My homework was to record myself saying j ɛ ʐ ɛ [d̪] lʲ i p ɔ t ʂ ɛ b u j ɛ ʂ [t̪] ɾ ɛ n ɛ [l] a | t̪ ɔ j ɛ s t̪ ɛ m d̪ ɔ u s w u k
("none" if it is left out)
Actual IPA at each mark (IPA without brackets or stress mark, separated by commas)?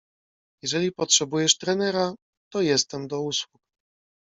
none, t̪, ɾ